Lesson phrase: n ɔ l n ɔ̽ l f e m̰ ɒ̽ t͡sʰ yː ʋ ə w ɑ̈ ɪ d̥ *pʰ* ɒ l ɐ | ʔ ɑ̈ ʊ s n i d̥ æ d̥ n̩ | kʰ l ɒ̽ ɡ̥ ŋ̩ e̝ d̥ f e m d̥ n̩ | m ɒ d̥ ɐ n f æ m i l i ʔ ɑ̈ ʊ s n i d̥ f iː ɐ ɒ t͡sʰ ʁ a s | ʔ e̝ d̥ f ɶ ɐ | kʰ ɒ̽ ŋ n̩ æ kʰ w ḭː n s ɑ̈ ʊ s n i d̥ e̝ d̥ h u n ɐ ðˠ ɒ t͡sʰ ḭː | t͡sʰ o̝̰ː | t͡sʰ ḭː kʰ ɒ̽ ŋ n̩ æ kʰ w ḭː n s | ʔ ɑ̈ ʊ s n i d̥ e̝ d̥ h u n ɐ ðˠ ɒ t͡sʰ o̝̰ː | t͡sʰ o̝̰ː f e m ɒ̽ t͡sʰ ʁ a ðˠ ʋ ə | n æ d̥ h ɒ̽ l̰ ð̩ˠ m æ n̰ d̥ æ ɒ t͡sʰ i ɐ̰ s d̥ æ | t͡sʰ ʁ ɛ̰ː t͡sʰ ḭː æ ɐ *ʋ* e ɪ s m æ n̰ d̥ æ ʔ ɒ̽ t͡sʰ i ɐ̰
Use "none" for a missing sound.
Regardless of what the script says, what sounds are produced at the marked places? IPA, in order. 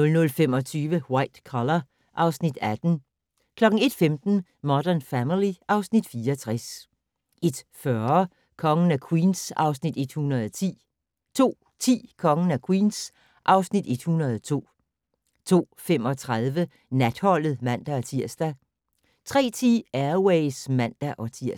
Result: kʰ, w

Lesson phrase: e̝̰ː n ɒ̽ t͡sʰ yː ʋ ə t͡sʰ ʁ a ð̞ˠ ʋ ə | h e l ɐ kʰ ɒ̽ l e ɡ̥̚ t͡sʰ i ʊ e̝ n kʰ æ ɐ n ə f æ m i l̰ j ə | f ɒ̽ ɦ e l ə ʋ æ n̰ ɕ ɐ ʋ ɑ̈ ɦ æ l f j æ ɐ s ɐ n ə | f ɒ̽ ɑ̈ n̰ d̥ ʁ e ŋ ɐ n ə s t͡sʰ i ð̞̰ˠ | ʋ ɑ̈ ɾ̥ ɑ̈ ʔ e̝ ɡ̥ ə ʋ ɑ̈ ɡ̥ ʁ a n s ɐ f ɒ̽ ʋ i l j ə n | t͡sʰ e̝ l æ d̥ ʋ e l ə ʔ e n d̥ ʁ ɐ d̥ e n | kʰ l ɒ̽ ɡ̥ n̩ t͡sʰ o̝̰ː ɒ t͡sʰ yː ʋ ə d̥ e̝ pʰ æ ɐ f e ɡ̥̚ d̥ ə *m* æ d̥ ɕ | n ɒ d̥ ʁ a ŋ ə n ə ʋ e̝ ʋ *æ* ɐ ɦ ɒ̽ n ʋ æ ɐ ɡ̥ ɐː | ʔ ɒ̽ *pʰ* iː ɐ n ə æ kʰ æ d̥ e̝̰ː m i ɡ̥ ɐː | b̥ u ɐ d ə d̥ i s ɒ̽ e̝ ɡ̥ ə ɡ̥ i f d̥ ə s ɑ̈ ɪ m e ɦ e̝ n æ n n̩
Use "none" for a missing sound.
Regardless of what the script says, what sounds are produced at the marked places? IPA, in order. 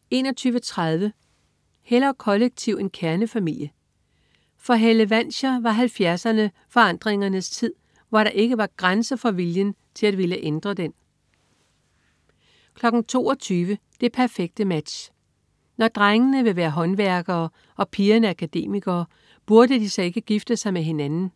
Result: m, æː, pʰ

